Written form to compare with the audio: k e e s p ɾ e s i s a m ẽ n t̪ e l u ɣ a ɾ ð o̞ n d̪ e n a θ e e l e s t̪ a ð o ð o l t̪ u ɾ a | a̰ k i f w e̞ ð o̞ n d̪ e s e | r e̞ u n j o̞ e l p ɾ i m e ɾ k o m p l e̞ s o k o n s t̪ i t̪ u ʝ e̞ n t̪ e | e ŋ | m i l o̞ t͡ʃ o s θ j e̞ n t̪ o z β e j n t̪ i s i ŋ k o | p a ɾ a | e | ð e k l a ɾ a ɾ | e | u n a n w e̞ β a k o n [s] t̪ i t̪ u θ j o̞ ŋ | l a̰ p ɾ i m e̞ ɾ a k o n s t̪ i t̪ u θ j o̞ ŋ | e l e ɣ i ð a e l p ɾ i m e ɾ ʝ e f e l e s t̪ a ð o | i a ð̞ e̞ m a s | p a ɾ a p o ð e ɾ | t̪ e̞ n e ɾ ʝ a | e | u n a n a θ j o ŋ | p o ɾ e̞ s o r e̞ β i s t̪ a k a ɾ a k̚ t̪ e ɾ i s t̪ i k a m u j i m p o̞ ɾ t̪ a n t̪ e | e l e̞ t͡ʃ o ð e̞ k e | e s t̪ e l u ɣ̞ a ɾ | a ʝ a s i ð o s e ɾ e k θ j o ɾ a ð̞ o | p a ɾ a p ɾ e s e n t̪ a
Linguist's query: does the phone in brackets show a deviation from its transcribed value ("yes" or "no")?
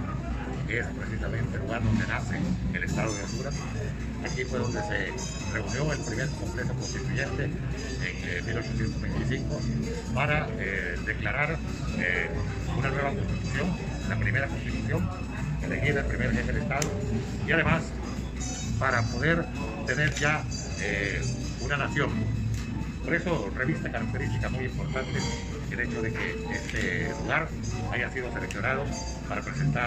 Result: no